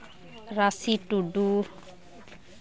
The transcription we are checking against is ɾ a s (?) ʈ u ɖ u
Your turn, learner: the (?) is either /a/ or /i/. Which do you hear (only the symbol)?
i